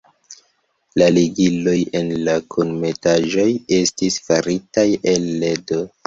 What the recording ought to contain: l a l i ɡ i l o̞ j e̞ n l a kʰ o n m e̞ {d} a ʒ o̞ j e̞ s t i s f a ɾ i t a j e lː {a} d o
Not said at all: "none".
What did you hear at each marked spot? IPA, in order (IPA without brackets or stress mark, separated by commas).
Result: t, e